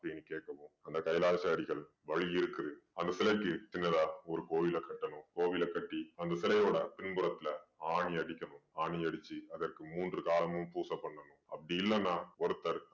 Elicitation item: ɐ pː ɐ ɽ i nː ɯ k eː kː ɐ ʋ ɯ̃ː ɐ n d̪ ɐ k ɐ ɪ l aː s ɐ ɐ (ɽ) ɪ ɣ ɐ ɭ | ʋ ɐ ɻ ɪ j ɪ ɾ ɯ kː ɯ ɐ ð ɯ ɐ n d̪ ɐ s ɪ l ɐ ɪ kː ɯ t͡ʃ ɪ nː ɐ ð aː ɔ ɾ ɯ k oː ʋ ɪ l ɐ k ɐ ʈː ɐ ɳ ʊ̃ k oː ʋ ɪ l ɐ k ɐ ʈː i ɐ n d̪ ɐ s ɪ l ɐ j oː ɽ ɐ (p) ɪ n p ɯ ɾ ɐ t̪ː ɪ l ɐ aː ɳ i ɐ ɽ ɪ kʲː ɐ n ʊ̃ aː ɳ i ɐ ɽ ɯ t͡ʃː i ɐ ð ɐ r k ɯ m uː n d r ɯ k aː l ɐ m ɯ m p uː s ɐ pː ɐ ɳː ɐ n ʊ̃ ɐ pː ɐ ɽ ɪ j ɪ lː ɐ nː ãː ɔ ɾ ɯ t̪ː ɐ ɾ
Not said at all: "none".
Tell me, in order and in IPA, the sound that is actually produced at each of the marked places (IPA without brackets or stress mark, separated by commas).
ɽ, p